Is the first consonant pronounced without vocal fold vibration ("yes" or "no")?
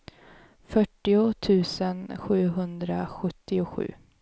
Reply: yes